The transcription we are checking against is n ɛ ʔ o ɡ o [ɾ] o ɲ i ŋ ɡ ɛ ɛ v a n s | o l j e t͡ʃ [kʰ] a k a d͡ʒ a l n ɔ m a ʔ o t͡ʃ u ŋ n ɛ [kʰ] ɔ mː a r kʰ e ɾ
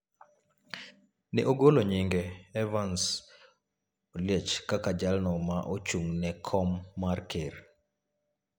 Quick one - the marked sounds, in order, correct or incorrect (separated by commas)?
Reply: incorrect, incorrect, correct